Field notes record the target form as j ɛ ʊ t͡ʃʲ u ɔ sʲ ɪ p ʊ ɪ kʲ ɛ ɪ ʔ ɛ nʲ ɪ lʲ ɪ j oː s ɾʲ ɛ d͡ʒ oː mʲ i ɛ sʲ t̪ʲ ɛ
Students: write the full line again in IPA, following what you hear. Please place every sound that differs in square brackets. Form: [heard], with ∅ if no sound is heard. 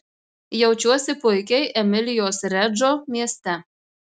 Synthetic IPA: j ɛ ʊ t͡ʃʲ u ɔ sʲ ɪ p ʊ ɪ kʲ ɛ ɪ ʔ ɛ [mʲ] ɪ lʲ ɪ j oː s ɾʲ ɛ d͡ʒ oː mʲ i ɛ sʲ t̪ʲ ɛ